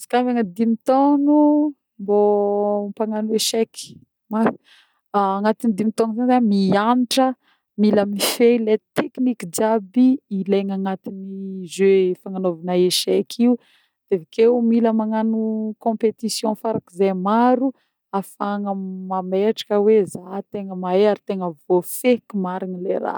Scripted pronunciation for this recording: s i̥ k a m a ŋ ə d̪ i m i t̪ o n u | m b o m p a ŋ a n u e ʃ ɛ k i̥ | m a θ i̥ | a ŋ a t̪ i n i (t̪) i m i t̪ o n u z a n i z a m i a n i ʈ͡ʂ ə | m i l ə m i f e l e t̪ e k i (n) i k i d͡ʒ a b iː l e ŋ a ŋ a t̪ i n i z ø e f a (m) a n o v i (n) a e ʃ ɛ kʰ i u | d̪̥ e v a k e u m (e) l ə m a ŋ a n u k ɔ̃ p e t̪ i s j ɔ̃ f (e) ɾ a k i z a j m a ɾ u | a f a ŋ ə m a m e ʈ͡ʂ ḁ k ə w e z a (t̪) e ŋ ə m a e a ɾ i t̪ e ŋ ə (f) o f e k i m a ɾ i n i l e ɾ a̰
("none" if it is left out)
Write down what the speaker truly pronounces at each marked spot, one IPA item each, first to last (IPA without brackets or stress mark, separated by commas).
d̪, n, ŋ, n, i, a, t̪, v